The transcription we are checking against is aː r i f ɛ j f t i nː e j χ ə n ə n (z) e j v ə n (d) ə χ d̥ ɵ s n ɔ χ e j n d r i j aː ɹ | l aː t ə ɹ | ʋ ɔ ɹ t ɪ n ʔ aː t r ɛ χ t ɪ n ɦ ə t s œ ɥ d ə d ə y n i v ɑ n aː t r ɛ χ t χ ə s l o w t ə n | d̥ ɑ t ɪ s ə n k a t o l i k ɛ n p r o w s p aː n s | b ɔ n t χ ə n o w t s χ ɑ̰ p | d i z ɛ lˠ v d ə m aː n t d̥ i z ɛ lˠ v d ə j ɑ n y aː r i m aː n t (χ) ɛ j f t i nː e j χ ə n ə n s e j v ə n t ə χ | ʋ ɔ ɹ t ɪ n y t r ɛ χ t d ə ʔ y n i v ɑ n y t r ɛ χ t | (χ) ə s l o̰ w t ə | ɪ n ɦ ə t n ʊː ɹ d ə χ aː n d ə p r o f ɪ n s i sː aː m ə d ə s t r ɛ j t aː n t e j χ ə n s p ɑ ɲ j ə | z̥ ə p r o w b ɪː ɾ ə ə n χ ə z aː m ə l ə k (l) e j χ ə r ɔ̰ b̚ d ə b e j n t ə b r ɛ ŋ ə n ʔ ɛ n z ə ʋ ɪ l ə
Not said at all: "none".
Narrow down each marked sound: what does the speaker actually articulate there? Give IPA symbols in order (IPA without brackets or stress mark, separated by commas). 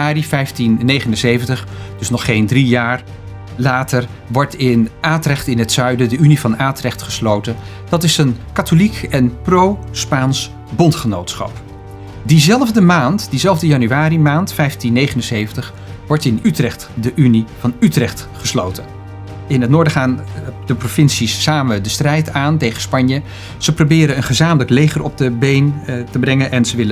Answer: s, t, f, χ, l